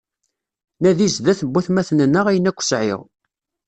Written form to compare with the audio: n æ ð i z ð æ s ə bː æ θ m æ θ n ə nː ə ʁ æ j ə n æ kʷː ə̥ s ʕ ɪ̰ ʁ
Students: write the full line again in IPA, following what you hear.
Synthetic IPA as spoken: n æ ð i z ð æ θ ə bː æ θ m æ θ n ə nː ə ʁ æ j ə n æ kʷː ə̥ s ʕ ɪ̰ ʁ

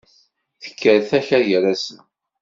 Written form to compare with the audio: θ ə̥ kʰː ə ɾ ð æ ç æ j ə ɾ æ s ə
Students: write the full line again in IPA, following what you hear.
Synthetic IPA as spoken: θ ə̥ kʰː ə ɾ θ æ ç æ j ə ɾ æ s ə

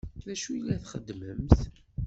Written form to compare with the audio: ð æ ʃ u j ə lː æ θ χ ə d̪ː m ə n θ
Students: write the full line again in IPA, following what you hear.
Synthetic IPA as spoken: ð æ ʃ u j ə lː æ θ χ ə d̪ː m ə m θ

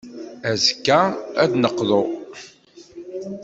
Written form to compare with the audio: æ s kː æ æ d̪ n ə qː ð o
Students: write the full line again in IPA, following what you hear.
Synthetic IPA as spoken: æ z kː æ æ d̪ n ə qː ð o

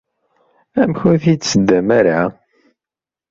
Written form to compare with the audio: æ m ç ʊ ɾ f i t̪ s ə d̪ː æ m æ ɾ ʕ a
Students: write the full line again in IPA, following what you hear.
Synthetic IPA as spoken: æ m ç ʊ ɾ θ i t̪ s ə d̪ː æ m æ ɾ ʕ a

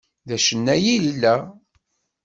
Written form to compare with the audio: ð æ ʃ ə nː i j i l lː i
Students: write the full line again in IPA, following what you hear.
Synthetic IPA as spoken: ð æ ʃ ə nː æ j i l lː æ

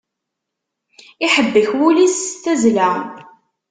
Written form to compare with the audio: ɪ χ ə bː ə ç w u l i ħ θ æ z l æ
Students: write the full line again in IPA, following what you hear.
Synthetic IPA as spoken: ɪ ħ ə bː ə ç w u l i s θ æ z l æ

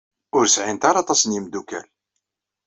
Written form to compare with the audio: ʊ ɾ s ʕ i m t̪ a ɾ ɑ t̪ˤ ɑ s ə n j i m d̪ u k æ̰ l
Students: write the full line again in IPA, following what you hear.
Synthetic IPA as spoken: ʊ ɾ s ʕ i n t̪ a ɾ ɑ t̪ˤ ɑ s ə n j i m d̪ u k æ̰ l

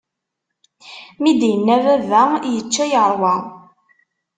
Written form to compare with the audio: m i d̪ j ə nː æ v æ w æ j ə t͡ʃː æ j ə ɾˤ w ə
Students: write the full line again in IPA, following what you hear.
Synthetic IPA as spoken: m i d̪ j ə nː æ v æ v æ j ə t͡ʃː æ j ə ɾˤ w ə

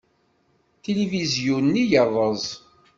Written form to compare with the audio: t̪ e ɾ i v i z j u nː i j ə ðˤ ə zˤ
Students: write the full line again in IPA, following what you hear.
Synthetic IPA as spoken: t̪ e l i v i z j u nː i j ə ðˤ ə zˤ

